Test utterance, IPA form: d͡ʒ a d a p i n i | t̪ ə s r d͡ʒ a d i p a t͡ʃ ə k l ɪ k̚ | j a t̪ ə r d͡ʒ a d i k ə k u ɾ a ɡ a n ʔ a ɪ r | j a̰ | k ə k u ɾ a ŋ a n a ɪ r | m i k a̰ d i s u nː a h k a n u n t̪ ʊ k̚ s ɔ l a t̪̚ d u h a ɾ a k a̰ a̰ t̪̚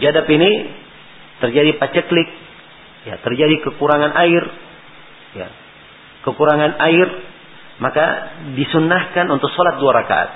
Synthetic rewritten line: d͡ʒ a d a p i n i | t̪ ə r d͡ʒ a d i p a t͡ʃ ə k l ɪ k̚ | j a t̪ ə r d͡ʒ a d i k ə k u ɾ a ŋ a n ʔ a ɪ r | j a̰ | k ə k u ɾ a ŋ a n a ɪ r | m a k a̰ d i s u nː a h k a n u n t̪ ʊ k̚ s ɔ l a t̪̚ d u a ɾ a k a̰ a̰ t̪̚